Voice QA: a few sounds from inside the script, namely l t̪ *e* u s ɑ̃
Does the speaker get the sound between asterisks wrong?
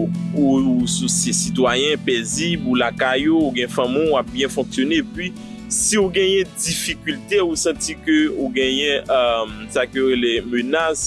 no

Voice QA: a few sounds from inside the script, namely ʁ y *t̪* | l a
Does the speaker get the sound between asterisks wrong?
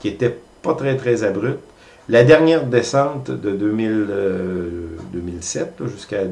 no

